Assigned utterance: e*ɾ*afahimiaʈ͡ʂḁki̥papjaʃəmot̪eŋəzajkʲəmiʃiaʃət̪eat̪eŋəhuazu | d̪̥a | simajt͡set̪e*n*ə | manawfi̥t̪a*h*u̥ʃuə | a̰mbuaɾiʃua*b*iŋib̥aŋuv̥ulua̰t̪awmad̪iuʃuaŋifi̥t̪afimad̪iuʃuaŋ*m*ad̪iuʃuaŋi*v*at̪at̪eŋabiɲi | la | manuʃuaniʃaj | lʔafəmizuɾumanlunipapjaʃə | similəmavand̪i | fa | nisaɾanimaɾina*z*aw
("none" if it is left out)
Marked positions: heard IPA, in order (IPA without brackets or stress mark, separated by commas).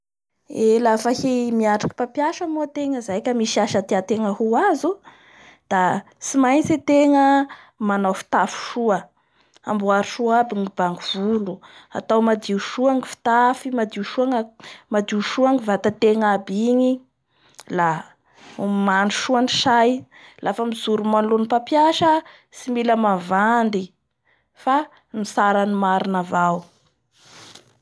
l, ŋ, f, b, m, v, v